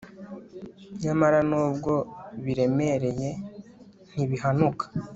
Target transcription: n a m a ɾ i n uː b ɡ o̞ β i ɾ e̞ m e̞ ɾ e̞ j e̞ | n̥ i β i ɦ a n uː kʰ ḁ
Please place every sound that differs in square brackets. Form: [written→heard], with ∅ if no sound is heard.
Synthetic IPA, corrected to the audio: [n→ɲ] a m a ɾ [i→a] n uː b ɡ o̞ β i ɾ e̞ m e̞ ɾ e̞ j e̞ | n̥ i β i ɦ a n [uː→u] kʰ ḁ